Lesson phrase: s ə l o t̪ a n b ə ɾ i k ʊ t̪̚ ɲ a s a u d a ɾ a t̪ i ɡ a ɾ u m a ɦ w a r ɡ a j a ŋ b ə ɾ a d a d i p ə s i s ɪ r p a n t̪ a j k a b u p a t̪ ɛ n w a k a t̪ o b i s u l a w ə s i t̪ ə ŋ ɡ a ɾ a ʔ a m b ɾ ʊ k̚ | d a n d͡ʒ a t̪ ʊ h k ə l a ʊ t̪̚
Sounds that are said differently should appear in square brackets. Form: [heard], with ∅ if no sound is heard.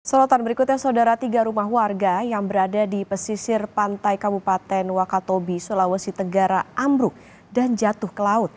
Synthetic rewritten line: s ə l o t̪ a n b ə ɾ i k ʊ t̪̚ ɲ a s a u d a ɾ a t̪ i ɡ a ɾ u m a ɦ w a r ɡ a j a ŋ b ə ɾ a d a d i p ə s i s ɪ r p a n t̪ a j k a b u p a t̪ ɛ n w a k a t̪ o b i s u l a w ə s i t̪ ə ŋ ɡ a ɾ a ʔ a m b ɾ ʊ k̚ | d a n d͡ʒ a t̪ ʊ h k ə l a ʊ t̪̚